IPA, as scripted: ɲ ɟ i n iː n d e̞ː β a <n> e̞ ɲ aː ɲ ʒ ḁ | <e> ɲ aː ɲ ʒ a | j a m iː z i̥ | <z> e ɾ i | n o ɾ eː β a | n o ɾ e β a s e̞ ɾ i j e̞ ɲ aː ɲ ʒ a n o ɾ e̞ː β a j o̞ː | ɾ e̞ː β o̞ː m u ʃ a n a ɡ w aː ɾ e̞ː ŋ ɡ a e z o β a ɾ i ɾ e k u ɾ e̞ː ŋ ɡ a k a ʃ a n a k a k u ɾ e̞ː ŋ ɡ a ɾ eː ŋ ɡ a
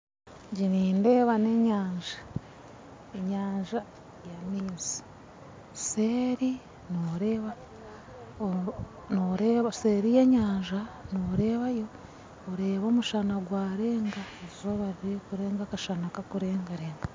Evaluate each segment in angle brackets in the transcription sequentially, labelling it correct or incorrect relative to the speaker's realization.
correct, correct, incorrect: s

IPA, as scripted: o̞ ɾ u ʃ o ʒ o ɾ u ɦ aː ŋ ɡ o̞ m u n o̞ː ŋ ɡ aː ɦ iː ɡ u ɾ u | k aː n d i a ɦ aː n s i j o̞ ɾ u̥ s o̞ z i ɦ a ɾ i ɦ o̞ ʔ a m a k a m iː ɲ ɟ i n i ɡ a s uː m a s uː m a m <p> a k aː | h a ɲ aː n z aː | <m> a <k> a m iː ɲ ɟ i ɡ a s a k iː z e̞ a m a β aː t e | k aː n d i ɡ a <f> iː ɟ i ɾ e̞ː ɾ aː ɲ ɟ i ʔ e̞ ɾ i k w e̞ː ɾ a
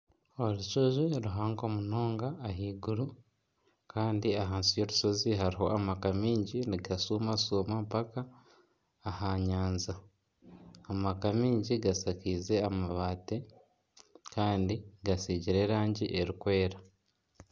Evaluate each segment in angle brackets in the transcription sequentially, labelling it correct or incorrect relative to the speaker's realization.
correct, correct, correct, incorrect: s

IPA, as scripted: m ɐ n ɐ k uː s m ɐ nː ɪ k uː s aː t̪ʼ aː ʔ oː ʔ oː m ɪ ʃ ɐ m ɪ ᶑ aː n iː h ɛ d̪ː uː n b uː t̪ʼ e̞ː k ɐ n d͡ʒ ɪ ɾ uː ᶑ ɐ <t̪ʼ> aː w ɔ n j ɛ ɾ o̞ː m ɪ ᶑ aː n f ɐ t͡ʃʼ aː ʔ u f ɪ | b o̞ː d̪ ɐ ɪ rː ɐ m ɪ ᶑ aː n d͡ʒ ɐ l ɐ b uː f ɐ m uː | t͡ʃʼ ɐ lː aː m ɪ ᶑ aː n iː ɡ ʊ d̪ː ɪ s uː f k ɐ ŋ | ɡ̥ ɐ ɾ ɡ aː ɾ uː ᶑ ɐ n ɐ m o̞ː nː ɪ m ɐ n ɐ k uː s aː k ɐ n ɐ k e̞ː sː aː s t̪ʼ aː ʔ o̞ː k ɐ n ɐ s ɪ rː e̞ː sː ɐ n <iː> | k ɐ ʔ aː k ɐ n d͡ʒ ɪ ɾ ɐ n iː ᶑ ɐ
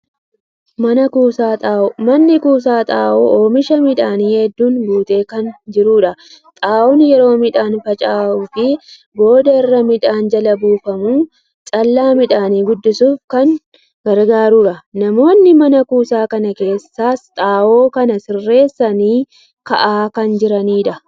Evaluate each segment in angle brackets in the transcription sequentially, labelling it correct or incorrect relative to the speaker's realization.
correct, correct

